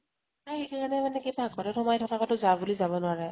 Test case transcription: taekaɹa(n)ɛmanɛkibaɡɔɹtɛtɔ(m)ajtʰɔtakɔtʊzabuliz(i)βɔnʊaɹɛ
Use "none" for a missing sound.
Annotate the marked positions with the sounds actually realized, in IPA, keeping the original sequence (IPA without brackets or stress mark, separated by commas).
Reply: n, m, a